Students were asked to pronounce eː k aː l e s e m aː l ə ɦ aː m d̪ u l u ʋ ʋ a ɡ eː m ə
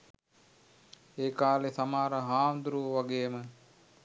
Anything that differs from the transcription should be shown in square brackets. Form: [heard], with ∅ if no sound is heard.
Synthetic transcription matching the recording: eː k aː l e s [a] m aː [ɾ] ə ɦ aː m d̪ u [ɾ] u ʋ ʋ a ɡ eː m ə